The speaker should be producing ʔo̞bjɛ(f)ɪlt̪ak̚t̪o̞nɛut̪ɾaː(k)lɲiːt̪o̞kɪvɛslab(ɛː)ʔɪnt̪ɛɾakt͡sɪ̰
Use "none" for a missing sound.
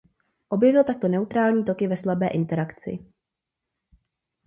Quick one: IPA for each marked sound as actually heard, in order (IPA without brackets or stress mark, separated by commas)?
v, none, ɛː